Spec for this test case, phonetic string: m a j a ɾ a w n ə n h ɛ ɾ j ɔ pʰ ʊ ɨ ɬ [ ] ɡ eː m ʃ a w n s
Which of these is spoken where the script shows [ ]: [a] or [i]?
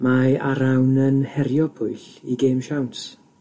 i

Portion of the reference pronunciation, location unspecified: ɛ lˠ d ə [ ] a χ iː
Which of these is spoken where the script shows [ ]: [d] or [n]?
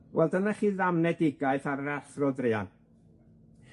n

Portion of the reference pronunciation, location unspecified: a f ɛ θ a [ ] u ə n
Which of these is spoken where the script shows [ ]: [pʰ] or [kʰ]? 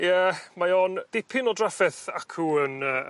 kʰ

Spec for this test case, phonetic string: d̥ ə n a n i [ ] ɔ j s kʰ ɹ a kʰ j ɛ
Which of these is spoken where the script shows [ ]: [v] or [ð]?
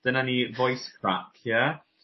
v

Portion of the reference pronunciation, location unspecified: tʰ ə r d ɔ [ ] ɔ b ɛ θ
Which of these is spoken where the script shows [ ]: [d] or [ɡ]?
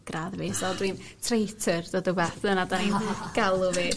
d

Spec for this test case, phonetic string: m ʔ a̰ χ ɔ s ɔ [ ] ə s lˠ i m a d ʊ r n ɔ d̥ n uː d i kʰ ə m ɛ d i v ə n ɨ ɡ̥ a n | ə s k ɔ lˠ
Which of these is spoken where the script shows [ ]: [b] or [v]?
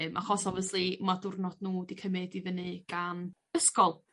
v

